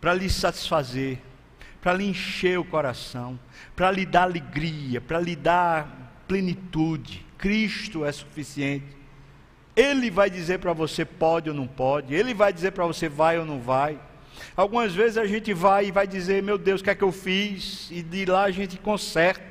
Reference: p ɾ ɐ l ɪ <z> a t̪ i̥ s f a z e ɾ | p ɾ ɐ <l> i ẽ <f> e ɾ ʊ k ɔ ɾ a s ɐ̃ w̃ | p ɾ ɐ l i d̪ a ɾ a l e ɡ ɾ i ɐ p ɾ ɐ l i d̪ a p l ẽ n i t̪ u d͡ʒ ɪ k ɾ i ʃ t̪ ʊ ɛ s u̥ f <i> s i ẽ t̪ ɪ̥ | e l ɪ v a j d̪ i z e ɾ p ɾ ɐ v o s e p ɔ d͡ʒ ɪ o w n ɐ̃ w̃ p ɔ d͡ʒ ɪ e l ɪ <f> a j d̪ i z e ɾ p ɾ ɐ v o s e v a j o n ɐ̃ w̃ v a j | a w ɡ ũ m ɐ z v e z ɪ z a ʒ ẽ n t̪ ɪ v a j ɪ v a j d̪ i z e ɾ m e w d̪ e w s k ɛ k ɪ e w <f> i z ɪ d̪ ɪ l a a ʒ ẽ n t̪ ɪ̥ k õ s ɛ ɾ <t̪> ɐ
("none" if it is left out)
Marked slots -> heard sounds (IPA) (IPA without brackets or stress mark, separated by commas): s, l, ʃ, i, v, f, t̪